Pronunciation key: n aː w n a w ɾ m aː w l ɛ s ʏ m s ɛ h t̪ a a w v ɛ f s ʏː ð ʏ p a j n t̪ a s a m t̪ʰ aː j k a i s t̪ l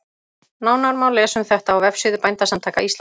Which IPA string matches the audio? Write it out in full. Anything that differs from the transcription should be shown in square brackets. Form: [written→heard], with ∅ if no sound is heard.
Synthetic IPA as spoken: n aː w n a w ɾ m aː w l ɛ s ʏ m [s→θ] ɛ h t̪ a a w v ɛ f s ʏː ð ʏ p a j n t̪ a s a m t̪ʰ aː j k a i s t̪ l